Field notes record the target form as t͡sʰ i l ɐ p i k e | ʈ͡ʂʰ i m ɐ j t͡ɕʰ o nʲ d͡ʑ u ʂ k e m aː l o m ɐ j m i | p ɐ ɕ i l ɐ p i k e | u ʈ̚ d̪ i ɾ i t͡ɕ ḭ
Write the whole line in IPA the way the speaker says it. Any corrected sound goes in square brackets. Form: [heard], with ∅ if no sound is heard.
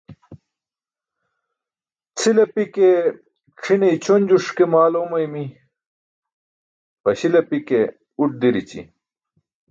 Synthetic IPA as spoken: t͡sʰ i l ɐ p i k e | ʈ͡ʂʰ i [n] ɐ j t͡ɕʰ o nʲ d͡ʑ u ʂ k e m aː l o m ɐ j m i | p ɐ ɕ i l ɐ p i k e | u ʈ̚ d̪ i ɾ i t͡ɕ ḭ